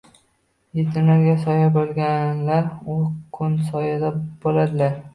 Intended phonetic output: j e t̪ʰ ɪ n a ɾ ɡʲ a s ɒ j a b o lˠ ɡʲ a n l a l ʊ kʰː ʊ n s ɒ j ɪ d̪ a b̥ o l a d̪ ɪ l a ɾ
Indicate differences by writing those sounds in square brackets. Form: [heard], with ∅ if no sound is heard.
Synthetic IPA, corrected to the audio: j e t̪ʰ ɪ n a ɾ ɡʲ a s ɒ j a b o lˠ ɡʲ a n l a [ɾ] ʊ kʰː ʊ n s ɒ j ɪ d̪ a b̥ o l a d̪ ɪ l a ɾ